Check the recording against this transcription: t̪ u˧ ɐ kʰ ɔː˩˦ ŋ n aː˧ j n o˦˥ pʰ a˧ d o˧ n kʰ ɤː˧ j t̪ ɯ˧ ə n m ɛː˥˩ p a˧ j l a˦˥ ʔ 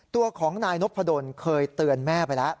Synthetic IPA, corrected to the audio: t̪ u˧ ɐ kʰ ɔː˩˦ ŋ n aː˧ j n o˦˥ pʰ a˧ d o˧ n kʰ ɤː˧ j t̪ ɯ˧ ə n m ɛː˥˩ p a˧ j l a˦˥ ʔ